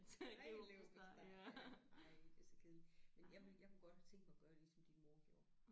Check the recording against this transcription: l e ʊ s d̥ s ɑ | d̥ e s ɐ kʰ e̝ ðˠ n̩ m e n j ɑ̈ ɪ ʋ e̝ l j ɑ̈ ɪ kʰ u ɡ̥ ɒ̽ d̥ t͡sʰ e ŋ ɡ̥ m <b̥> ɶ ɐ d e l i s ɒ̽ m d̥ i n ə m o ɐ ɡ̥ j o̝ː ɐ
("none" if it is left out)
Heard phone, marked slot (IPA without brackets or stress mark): ɡ̥